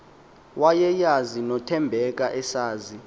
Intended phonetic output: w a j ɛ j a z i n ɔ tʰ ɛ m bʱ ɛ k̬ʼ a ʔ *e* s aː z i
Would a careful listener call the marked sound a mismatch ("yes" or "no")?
yes